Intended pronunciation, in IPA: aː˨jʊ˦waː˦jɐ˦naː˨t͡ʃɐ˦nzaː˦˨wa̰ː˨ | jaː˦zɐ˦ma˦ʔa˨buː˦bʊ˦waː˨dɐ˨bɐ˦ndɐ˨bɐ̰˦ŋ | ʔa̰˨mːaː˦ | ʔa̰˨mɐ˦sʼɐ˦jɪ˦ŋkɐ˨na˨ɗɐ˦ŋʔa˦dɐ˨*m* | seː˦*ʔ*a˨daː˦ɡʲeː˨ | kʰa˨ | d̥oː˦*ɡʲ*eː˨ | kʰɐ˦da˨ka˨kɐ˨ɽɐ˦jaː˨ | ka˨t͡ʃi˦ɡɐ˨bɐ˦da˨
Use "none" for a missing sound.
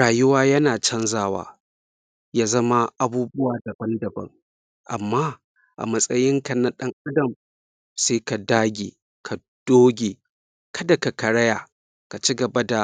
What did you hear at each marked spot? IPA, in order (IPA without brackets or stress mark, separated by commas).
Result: m, k, ɡʲ